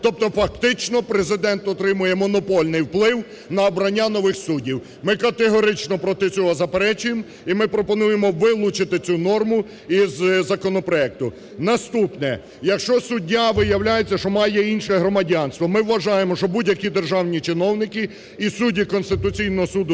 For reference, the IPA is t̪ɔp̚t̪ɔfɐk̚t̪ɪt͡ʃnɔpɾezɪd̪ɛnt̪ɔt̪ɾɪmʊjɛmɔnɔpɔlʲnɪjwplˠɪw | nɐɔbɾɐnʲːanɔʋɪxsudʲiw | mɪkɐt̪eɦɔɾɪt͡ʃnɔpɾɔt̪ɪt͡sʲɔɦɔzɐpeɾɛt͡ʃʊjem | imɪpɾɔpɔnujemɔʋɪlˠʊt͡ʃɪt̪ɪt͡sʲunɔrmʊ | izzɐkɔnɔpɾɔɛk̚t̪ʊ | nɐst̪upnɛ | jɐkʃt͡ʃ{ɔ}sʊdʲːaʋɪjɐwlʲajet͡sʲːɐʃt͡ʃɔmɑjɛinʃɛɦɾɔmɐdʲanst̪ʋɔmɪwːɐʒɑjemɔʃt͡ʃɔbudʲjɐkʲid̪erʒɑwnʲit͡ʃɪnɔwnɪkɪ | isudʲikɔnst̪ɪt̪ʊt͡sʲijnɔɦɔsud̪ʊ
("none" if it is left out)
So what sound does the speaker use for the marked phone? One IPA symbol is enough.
ɔ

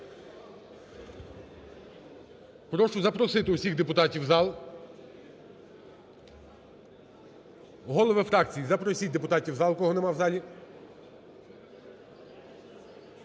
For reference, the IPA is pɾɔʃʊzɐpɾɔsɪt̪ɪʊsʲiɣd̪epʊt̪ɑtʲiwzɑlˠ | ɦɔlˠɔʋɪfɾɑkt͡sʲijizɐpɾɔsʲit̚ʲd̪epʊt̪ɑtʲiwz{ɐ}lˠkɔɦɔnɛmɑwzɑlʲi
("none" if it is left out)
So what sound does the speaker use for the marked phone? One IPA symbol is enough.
ɑ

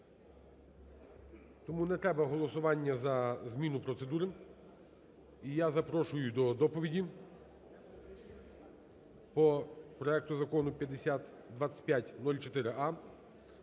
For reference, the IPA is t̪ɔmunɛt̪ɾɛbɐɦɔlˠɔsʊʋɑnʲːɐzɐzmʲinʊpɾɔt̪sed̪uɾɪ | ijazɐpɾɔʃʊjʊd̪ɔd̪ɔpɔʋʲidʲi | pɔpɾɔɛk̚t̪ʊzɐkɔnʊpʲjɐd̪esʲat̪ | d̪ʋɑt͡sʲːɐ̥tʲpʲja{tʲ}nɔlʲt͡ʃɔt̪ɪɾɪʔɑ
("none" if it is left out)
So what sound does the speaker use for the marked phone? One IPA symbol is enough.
tʲ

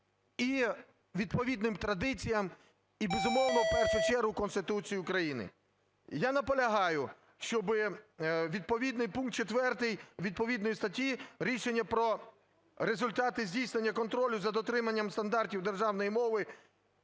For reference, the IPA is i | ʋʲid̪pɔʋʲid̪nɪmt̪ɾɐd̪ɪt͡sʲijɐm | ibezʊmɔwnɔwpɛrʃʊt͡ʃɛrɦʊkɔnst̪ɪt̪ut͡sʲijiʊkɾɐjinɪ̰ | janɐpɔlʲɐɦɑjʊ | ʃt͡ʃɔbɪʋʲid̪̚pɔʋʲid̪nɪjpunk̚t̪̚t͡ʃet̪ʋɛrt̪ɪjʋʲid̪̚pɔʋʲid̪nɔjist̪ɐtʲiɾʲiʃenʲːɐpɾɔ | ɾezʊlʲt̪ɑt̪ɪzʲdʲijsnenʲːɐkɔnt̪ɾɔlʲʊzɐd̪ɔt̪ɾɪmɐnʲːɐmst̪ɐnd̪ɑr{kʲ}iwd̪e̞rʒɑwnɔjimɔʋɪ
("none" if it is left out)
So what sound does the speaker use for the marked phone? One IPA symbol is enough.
tʲ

